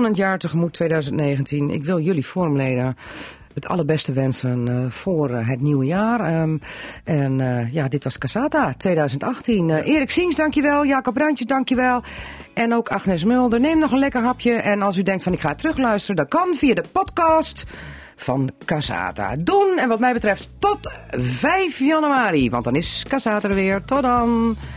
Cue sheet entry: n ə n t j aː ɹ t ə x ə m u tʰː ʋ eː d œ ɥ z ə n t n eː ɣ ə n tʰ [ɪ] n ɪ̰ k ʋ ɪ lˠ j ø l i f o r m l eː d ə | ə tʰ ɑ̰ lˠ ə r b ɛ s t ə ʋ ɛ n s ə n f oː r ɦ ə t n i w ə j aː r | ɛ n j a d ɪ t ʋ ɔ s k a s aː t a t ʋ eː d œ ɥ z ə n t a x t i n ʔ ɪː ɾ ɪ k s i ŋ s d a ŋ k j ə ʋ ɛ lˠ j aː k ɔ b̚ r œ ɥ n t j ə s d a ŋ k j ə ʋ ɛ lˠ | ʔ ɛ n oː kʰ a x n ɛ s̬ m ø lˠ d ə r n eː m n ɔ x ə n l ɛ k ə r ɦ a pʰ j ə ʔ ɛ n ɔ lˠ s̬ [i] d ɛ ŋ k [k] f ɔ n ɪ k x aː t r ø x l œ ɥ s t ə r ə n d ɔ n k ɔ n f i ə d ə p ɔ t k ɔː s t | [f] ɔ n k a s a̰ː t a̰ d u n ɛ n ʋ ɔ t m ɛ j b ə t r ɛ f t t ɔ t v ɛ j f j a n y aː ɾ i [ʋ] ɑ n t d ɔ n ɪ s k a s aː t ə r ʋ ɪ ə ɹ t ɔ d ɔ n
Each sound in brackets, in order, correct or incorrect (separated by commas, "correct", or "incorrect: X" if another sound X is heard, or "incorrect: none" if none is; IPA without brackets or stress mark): incorrect: i, incorrect: y, incorrect: t, correct, correct